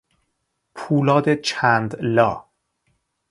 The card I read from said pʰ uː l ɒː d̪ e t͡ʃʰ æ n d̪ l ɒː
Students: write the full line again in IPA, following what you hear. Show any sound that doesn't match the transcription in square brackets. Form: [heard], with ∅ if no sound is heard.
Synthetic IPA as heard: pʰ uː l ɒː d̪ e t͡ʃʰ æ n d̪ l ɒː

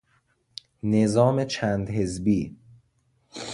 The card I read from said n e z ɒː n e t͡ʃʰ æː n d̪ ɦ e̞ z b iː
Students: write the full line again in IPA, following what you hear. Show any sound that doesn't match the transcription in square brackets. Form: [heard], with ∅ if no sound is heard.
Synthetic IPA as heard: n e z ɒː [m] e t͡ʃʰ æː n d̪ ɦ e̞ z b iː

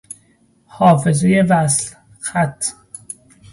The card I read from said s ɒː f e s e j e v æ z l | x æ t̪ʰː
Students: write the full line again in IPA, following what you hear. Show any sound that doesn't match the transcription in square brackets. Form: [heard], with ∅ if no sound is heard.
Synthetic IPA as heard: [h] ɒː f e [z] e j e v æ [s] l | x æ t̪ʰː

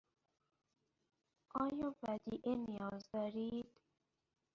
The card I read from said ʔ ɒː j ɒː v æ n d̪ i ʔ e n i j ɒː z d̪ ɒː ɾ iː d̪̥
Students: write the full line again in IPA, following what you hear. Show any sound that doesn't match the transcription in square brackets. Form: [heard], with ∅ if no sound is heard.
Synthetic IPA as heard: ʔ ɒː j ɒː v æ [∅] d̪ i ʔ e n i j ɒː z d̪ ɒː ɾ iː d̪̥

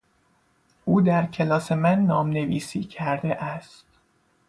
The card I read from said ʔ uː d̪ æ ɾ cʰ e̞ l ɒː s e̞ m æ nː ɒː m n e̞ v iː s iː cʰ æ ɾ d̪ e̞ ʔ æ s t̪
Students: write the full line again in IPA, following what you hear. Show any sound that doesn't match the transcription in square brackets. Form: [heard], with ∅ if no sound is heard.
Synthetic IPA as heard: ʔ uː d̪ æ ɾ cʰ e̞ l ɒː s e̞ m æ nː ɒː m n e̞ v iː s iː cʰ æ ɾ d̪ e̞ ʔ æ s t̪

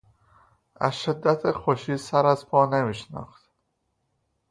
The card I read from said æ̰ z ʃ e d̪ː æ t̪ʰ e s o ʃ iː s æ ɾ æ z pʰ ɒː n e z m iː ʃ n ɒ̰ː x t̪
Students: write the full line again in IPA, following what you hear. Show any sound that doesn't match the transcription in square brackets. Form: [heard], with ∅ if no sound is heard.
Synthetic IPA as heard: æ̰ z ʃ e d̪ː æ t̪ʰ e [x] o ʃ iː s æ ɾ æ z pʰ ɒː n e [∅] m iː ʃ n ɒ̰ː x t̪

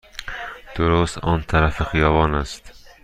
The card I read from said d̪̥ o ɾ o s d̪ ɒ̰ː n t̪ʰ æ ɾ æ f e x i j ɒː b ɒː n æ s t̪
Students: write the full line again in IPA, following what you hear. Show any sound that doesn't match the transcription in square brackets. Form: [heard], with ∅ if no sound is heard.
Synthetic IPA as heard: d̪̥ o ɾ o s [t̪] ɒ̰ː n t̪ʰ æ ɾ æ f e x i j ɒː [v] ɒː n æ s t̪

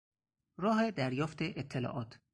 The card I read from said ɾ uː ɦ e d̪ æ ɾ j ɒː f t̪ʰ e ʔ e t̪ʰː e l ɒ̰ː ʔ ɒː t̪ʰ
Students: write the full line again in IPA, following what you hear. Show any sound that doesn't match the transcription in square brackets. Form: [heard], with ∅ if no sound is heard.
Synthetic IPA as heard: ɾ [ɒː] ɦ e d̪ æ ɾ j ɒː f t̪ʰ e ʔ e t̪ʰː e l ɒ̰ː ʔ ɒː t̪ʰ

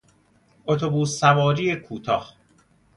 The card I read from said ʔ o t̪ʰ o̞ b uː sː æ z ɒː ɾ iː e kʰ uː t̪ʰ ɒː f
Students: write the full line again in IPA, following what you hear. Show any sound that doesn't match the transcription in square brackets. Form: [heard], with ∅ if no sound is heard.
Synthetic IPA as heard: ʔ o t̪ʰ o̞ b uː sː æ [v] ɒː ɾ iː e kʰ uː t̪ʰ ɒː [h]

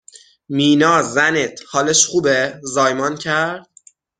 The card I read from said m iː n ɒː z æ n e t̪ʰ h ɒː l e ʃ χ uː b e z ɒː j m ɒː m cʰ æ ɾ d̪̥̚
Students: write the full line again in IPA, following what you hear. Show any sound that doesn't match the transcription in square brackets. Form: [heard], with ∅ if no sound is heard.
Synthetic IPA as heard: m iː n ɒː z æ n e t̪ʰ h ɒː l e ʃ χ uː b e z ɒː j m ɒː [n] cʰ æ ɾ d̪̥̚

